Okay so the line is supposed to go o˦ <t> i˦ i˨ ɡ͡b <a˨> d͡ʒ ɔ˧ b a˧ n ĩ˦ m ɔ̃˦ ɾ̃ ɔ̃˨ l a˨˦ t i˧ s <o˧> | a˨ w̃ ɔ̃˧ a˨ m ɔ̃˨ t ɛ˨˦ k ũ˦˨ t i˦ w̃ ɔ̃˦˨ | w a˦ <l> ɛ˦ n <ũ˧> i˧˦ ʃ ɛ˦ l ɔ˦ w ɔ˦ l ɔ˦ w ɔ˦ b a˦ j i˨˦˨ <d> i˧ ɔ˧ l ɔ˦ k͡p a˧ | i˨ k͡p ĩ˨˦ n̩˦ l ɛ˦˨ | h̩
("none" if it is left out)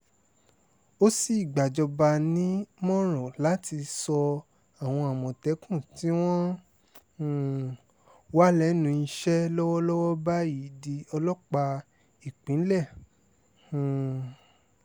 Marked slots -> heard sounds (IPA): s, a˨, ɔ˧, l, ũ˧, d

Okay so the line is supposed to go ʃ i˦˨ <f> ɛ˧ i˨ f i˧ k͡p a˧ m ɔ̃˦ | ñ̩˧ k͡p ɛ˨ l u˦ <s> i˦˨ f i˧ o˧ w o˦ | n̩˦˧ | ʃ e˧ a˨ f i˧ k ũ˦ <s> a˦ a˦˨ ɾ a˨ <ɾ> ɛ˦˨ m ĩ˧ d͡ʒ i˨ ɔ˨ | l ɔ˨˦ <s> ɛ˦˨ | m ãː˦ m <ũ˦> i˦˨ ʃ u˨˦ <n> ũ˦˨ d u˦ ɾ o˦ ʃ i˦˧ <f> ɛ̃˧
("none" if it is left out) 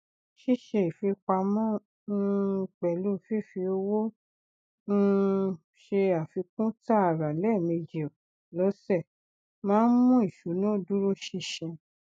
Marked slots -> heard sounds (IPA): ʃ, f, t, l, s, ũ˦, n, ʃ

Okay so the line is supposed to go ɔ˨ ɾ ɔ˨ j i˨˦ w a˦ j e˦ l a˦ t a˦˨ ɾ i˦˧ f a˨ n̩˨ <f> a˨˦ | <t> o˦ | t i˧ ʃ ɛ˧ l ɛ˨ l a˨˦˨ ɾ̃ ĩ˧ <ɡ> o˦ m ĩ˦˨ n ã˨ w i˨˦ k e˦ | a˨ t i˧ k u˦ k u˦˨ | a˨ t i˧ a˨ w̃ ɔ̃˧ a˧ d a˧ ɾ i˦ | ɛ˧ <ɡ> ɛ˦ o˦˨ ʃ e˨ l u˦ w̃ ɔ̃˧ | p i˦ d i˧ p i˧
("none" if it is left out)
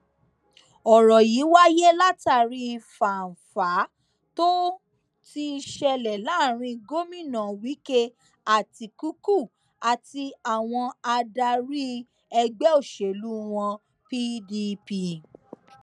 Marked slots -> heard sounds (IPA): f, t, ɡ, ɡ͡b

